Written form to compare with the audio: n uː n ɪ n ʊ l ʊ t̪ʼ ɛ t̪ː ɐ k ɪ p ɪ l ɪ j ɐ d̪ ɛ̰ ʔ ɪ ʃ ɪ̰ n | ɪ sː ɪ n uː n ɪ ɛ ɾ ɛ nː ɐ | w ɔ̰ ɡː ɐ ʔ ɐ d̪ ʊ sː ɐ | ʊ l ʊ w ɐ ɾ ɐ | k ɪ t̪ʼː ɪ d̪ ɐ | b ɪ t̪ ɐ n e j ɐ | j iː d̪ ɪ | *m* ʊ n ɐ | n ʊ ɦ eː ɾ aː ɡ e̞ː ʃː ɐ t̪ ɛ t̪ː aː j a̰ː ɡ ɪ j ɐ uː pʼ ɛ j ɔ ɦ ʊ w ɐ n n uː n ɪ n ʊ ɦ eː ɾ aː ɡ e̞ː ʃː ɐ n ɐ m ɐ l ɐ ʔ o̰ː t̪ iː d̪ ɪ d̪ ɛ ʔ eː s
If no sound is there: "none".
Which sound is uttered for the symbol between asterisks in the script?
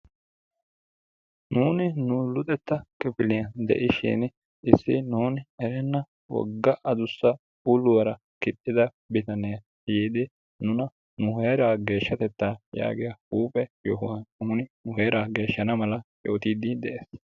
n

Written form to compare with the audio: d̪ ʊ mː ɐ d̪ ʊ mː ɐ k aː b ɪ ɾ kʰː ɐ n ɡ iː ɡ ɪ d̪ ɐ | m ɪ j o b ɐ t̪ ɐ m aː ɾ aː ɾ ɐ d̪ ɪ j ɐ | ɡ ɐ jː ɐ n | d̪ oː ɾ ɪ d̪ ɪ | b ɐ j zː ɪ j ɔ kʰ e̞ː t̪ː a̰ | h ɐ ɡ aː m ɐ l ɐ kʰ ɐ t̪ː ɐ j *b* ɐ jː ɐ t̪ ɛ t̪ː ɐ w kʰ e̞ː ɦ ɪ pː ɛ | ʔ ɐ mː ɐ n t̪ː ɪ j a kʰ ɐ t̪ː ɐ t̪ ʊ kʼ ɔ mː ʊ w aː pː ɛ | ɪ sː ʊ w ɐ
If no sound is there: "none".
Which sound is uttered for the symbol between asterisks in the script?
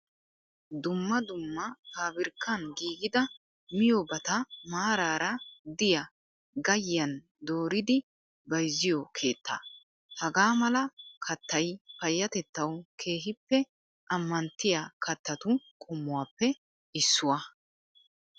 p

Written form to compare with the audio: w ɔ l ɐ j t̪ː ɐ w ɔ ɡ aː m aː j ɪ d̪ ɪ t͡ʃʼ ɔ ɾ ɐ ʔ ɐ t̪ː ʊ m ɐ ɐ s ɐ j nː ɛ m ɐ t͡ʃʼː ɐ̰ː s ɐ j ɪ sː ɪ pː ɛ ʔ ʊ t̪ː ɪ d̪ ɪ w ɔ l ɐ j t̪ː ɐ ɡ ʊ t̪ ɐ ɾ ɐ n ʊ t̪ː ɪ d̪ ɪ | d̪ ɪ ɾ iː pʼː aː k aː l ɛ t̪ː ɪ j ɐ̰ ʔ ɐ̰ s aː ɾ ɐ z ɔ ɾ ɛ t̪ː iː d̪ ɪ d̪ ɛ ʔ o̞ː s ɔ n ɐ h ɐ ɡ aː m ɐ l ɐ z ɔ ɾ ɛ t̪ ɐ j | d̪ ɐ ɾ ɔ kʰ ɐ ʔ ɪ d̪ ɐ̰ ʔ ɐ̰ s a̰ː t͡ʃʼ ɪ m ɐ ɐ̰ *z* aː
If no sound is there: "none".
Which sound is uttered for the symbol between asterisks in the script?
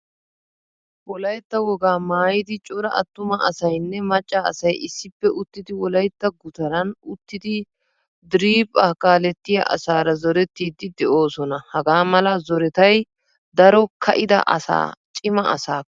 s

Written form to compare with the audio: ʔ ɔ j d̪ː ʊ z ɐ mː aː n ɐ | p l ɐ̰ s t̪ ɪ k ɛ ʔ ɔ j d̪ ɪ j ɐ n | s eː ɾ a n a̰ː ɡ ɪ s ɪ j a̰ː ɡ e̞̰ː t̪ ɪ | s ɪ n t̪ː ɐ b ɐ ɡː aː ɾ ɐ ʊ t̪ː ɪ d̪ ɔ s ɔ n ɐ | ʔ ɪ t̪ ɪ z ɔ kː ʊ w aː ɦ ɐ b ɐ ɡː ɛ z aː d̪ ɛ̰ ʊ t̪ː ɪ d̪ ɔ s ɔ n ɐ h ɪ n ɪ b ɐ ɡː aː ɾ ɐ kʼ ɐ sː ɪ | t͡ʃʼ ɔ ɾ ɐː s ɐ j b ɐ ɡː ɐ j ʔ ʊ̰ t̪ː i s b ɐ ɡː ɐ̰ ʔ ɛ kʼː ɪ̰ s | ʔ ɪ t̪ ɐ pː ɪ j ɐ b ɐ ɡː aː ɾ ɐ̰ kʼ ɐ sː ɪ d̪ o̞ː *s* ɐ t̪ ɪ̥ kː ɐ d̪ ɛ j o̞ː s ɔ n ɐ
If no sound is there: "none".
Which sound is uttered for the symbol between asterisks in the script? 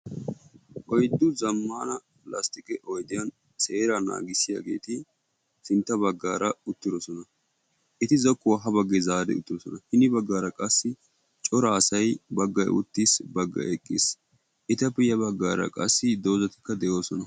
z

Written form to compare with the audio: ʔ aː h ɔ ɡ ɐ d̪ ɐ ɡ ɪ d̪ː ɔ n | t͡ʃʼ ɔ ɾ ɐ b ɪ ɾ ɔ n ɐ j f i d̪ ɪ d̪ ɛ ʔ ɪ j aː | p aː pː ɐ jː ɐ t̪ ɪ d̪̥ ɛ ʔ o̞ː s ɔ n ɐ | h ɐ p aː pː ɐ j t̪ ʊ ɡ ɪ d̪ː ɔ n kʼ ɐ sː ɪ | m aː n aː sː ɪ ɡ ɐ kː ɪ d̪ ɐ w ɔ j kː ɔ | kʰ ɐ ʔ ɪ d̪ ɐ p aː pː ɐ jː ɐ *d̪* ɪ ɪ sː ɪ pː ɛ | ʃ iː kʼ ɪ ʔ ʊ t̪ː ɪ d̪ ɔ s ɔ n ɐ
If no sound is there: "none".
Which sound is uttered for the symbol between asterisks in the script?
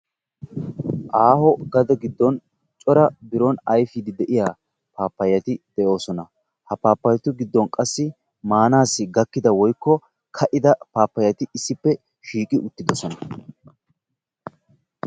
t̪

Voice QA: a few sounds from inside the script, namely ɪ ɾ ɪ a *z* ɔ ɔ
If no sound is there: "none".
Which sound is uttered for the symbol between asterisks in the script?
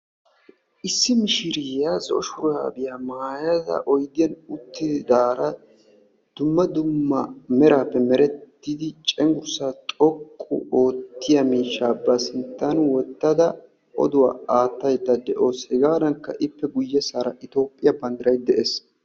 z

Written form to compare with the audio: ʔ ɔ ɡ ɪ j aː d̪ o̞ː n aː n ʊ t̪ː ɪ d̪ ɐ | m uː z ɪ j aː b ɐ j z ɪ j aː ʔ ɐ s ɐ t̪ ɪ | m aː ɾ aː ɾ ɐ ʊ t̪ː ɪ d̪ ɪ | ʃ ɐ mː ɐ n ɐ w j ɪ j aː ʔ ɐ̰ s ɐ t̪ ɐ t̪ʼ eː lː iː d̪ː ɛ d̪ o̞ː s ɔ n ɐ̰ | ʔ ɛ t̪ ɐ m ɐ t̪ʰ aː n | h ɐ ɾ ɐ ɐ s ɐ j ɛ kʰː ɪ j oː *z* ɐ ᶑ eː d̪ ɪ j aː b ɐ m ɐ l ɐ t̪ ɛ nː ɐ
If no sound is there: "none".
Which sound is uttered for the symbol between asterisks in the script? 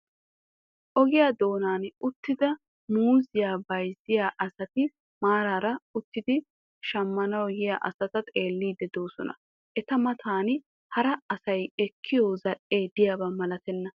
z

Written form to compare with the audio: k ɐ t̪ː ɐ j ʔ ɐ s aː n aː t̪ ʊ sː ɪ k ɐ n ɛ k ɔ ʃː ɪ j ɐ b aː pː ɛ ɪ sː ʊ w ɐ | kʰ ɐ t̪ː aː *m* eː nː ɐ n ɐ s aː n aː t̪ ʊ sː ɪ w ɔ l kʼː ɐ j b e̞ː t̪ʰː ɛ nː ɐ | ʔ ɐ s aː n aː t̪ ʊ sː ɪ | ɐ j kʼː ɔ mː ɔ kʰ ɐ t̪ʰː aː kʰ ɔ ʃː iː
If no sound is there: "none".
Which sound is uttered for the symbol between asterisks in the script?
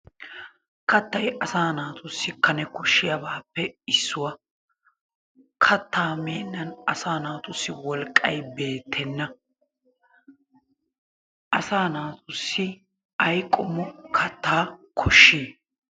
m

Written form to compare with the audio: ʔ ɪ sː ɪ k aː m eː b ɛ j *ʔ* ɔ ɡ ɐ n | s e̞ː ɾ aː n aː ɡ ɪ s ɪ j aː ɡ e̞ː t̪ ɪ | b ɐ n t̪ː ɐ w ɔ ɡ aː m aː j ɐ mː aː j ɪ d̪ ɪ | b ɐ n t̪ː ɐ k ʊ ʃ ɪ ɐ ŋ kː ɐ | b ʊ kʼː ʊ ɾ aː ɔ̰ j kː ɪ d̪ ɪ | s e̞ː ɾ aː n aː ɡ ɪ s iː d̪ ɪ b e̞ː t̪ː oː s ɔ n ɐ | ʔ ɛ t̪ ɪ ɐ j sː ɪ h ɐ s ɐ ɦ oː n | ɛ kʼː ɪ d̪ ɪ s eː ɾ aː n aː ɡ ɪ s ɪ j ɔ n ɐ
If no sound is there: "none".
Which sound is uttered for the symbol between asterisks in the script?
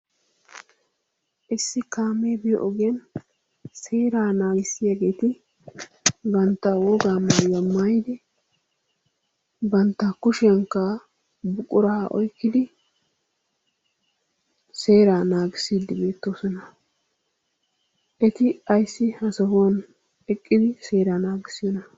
ʔ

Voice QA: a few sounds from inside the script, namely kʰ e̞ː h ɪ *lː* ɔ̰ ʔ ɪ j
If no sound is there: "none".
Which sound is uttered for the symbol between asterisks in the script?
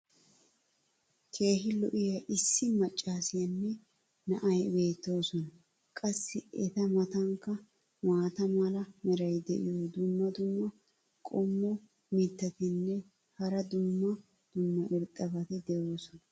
l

